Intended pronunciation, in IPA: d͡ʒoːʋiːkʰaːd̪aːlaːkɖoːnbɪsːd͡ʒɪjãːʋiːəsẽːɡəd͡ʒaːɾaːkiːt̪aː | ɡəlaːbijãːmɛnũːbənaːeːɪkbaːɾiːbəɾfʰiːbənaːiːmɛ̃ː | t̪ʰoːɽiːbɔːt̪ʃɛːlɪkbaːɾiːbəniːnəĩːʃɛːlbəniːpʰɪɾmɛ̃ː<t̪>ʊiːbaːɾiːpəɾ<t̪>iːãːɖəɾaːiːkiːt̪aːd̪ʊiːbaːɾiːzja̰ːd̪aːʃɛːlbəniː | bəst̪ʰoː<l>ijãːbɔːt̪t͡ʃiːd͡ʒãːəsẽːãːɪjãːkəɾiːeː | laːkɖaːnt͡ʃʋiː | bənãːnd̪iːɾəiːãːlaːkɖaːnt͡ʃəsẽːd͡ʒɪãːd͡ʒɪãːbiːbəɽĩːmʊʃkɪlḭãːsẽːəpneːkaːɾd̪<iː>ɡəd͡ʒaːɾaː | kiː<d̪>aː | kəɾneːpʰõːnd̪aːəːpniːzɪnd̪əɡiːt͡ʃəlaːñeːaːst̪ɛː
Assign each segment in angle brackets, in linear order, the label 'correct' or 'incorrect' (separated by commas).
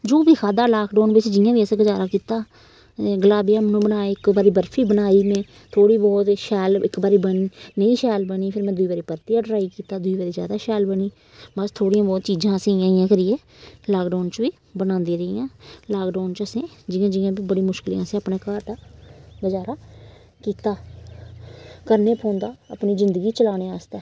incorrect, correct, incorrect, incorrect, incorrect